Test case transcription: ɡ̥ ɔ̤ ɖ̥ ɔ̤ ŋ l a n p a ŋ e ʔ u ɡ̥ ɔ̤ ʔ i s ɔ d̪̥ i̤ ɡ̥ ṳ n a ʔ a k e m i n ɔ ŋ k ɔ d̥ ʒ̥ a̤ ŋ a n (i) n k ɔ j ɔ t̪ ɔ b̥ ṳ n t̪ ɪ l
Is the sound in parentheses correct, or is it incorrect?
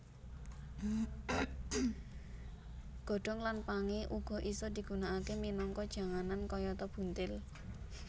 incorrect